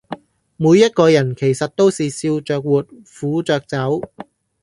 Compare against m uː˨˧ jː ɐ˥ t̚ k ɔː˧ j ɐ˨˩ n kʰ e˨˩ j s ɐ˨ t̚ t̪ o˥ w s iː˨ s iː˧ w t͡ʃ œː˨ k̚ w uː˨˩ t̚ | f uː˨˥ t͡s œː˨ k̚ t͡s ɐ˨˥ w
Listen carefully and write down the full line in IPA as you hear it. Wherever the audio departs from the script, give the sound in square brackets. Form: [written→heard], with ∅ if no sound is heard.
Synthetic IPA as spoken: m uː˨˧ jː ɐ˥ t̚ k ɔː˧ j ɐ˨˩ n kʰ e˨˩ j s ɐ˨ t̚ t̪ o˥ w s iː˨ s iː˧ w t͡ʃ œː˨ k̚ w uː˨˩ t̚ | f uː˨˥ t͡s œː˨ k̚ t͡s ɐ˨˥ w